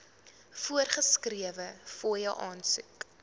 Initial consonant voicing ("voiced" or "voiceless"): voiceless